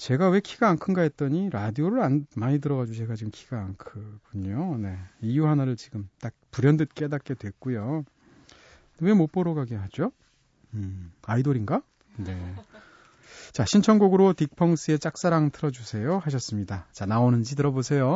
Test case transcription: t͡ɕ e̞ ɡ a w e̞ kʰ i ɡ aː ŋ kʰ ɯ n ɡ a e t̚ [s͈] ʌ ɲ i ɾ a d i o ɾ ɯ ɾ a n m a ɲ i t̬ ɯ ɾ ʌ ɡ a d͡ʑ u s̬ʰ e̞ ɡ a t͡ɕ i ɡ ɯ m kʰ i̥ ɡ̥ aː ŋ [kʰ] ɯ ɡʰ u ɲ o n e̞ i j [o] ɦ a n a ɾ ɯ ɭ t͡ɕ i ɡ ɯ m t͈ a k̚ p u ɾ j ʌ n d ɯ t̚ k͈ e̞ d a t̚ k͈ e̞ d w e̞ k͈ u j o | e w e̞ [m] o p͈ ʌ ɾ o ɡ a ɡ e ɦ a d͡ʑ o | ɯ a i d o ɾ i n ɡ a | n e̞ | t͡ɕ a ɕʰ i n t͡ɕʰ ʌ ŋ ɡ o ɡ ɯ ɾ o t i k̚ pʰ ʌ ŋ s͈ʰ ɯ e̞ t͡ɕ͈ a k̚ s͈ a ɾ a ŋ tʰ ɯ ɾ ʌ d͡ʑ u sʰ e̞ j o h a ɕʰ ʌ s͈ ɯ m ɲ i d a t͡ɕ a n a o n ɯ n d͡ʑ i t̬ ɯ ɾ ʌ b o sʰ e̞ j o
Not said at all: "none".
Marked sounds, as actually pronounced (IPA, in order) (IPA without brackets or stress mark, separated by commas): t͈, kʰ, u, m